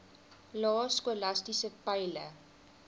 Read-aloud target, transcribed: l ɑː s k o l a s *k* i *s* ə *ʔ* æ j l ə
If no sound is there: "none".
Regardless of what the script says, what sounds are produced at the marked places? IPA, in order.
t, s, p

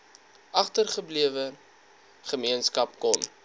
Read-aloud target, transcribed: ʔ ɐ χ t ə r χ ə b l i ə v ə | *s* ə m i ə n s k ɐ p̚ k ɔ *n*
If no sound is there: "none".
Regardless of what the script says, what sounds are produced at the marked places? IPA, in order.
χ, n

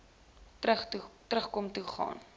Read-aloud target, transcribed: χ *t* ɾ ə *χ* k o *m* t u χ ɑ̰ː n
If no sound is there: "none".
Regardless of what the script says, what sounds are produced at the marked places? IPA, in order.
t, χ, m

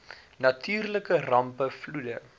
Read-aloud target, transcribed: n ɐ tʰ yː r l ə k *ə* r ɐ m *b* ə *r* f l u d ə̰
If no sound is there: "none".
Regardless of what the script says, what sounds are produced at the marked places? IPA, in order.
ə, p, none

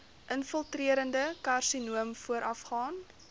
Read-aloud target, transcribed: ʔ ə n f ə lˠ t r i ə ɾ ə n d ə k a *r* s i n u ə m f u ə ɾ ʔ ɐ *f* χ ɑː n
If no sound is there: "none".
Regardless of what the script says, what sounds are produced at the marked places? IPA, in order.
r, f

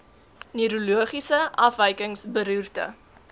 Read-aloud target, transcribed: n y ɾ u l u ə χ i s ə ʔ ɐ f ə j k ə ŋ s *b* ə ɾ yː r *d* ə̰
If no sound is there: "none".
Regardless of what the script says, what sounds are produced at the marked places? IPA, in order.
b, t

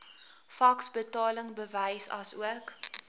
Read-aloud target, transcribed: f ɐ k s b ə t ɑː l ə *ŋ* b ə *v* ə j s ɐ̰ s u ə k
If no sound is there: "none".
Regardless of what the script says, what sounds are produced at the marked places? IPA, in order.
ŋ, v

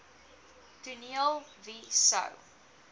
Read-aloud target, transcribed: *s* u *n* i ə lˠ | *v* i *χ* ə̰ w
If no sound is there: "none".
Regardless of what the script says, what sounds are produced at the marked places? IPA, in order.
t, n, v, s

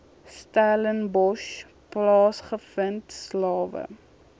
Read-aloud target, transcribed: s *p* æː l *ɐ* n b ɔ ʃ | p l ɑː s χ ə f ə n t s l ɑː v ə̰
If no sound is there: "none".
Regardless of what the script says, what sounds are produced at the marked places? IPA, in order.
t, ə

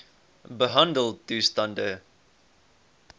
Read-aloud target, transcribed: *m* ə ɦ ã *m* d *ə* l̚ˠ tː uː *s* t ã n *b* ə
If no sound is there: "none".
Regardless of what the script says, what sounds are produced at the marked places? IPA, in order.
b, n, ə, s, d

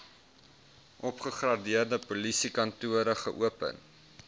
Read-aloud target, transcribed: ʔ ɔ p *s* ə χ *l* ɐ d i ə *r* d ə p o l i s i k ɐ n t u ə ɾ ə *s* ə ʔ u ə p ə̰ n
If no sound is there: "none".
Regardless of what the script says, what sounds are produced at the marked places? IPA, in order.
χ, r, r, χ

